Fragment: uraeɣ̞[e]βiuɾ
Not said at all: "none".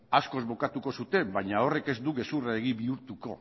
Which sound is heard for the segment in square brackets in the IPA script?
i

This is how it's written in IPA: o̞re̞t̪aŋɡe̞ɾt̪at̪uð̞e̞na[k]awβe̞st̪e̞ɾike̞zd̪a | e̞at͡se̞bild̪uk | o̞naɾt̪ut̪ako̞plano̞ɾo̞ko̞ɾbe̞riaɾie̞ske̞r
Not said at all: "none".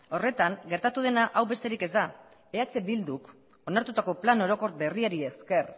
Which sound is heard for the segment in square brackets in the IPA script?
ʔ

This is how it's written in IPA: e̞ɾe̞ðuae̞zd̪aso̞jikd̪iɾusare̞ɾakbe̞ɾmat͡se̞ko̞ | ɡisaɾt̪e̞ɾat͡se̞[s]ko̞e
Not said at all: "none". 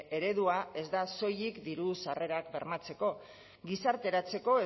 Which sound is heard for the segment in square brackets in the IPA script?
none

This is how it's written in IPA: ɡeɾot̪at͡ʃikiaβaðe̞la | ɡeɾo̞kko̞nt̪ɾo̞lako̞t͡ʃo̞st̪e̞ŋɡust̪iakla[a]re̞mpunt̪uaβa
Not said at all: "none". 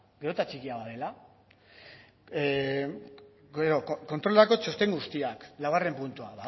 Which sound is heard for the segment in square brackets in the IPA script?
a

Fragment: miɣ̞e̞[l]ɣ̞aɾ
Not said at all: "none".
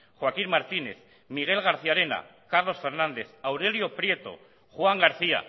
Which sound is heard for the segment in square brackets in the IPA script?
l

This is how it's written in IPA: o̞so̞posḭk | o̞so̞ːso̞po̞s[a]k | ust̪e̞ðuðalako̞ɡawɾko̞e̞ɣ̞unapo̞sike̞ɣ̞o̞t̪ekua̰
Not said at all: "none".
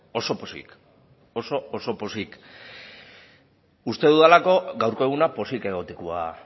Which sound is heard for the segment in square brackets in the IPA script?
i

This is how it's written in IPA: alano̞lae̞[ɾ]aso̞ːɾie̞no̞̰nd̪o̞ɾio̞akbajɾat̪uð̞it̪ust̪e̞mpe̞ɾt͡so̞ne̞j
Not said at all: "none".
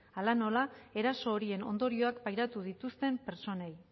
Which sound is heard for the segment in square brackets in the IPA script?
ɾ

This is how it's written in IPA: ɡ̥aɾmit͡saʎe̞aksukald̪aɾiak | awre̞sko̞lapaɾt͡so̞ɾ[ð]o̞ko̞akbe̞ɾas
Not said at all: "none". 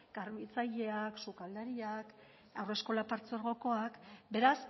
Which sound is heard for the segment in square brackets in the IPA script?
ɣ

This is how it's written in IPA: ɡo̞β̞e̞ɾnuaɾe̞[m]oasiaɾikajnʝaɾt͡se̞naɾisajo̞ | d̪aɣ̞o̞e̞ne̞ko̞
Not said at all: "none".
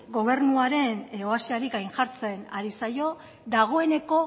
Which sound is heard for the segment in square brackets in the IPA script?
n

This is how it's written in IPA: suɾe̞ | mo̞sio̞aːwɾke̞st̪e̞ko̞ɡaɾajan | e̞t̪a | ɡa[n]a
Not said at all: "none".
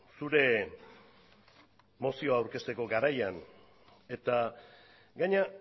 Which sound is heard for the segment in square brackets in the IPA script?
ɲ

